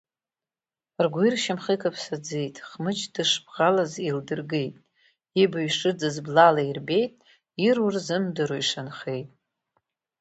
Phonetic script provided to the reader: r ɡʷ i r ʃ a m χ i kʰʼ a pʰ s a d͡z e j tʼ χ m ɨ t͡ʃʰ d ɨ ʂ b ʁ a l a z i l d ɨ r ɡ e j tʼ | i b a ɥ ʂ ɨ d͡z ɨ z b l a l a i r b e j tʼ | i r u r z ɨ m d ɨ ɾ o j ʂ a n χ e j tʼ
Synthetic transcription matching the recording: r ɡʷ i r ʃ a m χ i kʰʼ a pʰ s a d͡z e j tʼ χ m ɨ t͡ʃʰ d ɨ ʂ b ʁ a l a z i l d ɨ r ɡ e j tʼ | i b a ɥ ʂ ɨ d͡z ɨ z b l a l a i r b e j tʼ | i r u r z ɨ m d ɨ ɾ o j ʂ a n χ e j tʼ